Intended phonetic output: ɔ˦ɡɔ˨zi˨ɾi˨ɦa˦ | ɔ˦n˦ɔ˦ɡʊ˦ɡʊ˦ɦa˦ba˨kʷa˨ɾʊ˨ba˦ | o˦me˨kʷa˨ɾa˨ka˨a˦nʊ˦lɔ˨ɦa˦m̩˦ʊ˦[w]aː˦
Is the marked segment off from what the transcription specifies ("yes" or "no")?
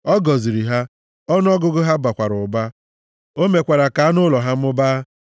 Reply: yes